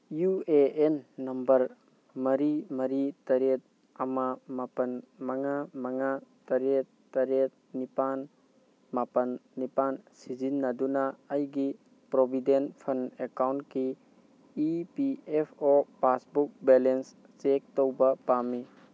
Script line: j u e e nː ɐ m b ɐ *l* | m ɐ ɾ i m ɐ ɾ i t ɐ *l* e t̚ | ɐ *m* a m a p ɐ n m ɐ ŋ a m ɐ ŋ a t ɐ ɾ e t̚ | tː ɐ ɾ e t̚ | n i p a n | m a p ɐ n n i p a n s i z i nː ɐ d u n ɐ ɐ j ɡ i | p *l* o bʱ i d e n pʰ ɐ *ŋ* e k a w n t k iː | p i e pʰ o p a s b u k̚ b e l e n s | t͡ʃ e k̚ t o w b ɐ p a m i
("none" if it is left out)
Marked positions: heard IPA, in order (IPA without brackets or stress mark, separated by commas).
ɾ, ɾ, m, ɾ, n